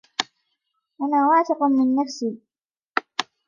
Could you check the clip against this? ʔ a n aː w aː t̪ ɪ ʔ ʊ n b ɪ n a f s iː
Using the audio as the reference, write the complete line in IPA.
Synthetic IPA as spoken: ʔ a n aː w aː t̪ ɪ q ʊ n m ɪ nː a f s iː

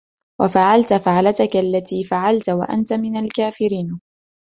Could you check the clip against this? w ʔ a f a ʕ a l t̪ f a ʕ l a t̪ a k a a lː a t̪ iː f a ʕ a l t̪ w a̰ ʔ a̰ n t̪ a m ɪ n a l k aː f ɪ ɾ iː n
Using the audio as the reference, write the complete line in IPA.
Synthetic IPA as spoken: w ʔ a f a ʕ a l t̪ f a ʕ l a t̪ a k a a lː a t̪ iː f a ʕ a l t̪ w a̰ ʔ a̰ n t̪ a m ɪ n a l k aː f ɪ ɾ iː n

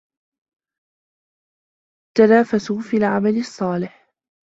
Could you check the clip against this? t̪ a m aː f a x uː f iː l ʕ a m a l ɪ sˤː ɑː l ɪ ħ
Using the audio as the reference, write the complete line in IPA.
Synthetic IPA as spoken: t̪ a n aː f a s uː f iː l ʕ a m a l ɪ sˤː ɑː l ɪ ħ

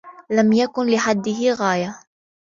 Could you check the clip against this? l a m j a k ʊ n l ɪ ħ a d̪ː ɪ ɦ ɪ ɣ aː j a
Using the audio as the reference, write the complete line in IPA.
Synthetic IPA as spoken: l a m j a k ʊ n l ɪ ħ a d̪ː ɪ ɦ ɪ ɣ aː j a

